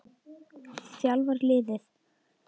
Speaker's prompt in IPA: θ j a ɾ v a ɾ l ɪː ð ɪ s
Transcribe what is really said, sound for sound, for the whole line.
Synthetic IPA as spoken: s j a l v a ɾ l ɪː ð ɪ θ

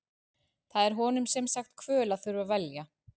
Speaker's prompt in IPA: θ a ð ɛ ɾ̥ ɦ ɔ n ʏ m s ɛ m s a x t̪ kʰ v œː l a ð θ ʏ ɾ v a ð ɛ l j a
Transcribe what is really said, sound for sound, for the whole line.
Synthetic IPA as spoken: θ a ð ɛ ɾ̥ ɦ ɔ n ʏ m s ɛ m s a x t̪ kʰ v œː l a ð θ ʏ ɾ v a v ɛ l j a

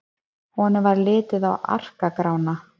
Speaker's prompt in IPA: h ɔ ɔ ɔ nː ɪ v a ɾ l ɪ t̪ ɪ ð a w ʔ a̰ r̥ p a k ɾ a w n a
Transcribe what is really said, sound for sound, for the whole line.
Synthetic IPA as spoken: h ɔ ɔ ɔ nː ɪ v a ɾ l ɪː t̪ ɪ ð a w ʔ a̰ r̥ k a k ɾ a w n a

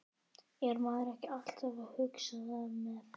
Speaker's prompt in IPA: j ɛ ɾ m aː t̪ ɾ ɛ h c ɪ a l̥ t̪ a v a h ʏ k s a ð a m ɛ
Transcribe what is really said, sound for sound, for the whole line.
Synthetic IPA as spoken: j ɛ ɾ m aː ɾ ɛ h c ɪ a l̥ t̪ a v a h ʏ k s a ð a m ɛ

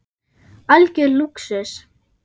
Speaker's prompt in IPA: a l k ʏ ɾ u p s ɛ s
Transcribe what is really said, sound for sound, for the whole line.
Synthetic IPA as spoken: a l c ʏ l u k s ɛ s

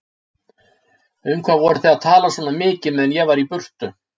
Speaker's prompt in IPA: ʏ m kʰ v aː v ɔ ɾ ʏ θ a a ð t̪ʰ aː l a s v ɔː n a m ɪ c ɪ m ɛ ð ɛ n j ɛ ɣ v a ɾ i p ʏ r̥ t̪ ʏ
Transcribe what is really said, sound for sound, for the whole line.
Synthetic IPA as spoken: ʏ m kʰ v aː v ɔ ɾ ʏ θ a a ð t̪ʰ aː l a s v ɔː n a m ɪː c ɪ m ɛ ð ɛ n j ɛ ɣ v a ɾ i p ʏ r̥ t̪ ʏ

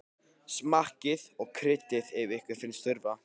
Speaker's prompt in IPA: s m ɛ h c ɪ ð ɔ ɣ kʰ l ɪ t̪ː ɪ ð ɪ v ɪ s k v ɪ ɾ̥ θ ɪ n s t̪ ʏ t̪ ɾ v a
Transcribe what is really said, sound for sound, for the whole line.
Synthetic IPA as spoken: s m a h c ɪ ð ɔ ɣ kʰ ɾ ɪ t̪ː ɪ ð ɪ v ɪ h k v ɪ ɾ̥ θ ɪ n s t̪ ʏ ɾ v a

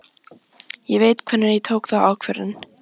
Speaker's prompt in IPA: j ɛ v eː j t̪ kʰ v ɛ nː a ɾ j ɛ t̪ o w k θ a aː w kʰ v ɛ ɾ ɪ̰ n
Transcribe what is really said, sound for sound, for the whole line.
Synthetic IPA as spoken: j ɛ v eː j t̪ kʰ v ɛ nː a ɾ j ɛ t̪ʰ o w k θ a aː w kʰ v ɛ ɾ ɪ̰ n

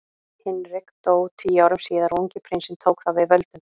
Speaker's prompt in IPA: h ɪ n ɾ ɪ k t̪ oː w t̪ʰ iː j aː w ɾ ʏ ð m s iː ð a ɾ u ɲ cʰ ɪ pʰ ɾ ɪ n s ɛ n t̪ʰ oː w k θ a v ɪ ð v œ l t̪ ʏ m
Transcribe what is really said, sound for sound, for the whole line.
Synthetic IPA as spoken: h ɪ n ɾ ɪ k t̪ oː w t̪ʰ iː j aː w ɾ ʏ m s iː ð a ɾ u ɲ c ɪ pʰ ɾ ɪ n s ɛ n t̪ʰ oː w k θ a v ɪ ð v œ l t̪ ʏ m

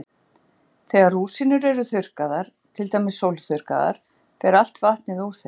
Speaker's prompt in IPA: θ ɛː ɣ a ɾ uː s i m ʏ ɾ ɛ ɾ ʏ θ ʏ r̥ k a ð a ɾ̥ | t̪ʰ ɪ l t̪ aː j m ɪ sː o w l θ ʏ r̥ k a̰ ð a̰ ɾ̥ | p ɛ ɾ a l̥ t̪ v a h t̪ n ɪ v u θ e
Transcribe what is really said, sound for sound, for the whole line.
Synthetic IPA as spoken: θ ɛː ɣ a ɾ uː s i n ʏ ɾ ɛ ɾ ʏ θ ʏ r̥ k a ð a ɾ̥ | t̪ʰ ɪ l t̪ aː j m ɪ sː o w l θ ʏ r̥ k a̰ ð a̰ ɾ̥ | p ɛ ɾ a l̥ t̪ v a h t̪ n ɪ ð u θ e

